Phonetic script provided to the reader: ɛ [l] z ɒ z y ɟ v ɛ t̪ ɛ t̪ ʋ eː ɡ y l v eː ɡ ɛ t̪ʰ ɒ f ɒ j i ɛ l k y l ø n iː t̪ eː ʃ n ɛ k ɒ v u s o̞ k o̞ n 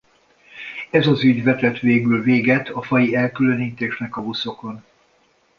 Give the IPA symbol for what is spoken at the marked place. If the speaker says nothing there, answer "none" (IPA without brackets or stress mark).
none